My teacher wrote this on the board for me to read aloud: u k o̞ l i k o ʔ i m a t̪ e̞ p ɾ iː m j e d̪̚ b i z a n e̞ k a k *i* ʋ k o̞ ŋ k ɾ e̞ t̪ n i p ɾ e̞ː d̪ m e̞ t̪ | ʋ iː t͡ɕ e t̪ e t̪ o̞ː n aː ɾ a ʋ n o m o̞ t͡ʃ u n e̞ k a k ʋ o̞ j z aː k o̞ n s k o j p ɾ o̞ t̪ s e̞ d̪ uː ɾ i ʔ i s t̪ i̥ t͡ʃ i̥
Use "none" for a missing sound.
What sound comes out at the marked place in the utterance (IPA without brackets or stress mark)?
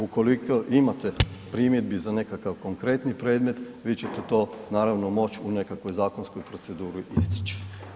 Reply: a